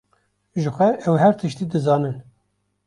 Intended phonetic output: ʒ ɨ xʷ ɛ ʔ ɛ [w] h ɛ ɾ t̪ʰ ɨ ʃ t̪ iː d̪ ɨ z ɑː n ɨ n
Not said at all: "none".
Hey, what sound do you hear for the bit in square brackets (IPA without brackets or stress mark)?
w